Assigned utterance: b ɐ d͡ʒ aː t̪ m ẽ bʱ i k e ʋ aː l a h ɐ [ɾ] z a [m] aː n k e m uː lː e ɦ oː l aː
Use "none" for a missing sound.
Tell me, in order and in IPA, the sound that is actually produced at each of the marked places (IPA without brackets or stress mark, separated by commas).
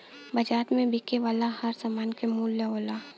ɾ, m